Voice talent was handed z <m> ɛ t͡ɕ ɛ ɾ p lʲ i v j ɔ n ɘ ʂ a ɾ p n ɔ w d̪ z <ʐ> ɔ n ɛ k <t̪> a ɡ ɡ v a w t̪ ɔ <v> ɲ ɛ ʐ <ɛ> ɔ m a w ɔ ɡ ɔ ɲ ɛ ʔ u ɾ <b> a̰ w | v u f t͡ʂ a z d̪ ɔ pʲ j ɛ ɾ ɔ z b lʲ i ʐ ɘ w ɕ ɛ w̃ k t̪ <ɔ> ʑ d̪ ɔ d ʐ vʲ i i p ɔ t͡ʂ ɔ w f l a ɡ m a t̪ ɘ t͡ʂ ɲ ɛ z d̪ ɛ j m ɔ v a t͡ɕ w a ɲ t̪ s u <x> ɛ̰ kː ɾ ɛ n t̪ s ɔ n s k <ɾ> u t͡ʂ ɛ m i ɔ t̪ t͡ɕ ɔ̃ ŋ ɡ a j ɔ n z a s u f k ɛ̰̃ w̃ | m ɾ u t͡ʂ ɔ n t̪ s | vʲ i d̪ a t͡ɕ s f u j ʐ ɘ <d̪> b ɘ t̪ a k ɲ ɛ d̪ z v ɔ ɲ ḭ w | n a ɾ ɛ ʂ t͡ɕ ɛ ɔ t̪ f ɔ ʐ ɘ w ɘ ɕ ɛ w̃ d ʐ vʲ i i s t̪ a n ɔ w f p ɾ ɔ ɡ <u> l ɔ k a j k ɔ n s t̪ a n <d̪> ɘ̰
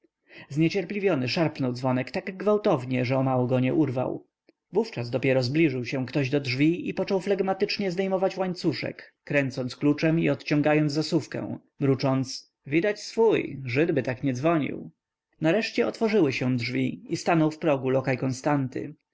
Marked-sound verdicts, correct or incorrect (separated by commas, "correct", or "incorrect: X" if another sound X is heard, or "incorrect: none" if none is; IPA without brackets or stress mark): incorrect: ɲ, incorrect: v, correct, correct, correct, incorrect: v, correct, incorrect: ʂ, incorrect: l, correct, correct, incorrect: t̪